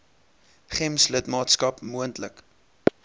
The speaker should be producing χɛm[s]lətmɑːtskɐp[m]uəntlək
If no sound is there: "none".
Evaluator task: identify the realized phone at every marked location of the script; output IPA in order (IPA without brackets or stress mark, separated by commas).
s, m